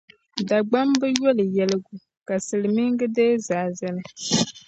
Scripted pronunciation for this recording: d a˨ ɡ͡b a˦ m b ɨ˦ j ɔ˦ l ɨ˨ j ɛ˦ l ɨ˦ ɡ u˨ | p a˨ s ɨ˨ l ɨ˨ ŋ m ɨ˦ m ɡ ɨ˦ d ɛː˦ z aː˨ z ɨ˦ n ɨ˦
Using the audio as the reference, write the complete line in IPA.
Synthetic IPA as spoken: d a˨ ɡ͡b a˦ m b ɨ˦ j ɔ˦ l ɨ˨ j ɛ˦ l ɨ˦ ɡ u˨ | k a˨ s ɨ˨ l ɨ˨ m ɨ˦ ŋ ɡ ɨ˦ d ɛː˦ z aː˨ z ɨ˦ n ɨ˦